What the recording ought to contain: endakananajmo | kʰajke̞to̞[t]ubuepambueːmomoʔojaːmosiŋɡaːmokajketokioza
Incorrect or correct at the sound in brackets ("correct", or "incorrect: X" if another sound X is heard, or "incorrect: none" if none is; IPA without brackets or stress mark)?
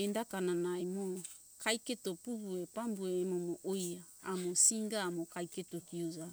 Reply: incorrect: p